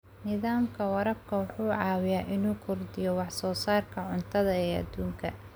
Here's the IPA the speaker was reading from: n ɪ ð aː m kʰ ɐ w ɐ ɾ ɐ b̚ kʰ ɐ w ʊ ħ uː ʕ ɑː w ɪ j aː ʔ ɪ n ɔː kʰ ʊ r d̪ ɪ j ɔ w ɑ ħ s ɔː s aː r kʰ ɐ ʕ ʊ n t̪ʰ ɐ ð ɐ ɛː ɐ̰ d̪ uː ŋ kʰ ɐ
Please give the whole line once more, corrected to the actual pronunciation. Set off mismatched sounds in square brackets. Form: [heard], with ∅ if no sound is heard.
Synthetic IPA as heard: n ɪ ð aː m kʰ ɐ w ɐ ɾ ɐ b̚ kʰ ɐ w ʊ ħ uː ʕ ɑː w ɪ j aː ʔ ɪ n [uː] kʰ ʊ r d̪ ɪ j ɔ w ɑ ħ s ɔː s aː r kʰ ɐ ʕ ʊ n t̪ʰ ɐ ð ɐ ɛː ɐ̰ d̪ uː ŋ kʰ ɐ